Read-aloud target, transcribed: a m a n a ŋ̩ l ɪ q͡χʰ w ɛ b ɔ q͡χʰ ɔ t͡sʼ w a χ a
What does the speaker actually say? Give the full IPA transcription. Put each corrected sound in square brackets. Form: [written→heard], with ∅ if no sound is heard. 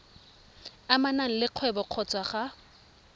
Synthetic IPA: a m a n a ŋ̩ l ɪ q͡χʰ w ɛ b ɔ q͡χʰ ɔ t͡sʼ w a χ a